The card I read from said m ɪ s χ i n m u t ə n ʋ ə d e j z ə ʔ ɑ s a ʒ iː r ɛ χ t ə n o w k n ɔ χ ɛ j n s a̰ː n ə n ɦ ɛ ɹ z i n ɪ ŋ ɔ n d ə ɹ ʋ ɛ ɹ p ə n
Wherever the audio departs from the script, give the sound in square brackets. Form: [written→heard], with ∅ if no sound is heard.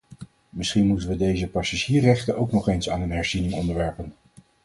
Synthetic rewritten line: m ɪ s χ i n m u t ə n ʋ ə d e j z ə [ʔ→p] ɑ s a ʒ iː r ɛ χ t ə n o w k n ɔ χ [ɛ→e] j n s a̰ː n ə n ɦ ɛ ɹ z i n ɪ ŋ ɔ n d ə ɹ ʋ ɛ ɹ p ə n